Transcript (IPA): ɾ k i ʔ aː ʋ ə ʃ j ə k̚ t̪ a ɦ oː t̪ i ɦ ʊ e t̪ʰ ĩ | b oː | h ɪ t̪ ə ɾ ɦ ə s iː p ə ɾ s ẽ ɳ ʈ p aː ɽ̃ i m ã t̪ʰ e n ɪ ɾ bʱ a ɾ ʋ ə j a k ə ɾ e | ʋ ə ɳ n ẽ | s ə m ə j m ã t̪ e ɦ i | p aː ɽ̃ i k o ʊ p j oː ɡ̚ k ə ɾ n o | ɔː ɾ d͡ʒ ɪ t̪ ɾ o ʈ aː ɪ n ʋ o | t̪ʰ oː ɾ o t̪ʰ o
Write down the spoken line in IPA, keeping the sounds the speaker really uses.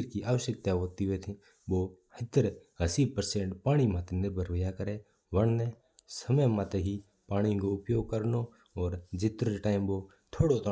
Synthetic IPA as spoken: ɾ k i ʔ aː ʋ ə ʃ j ə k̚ t̪ a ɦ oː t̪ i ɦ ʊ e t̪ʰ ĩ | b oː | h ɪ t̪ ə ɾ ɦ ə s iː p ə ɾ s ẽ ɳ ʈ p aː ɽ̃ i m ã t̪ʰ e n ɪ ɾ bʱ ə ɾ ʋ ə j a k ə ɾ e | ʋ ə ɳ n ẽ | s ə m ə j m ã t̪ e ɦ i | p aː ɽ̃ i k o ʊ p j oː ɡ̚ k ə ɾ n o | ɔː ɾ d͡ʒ ɪ t̪ ɾ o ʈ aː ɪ m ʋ o | t̪ʰ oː ɽ o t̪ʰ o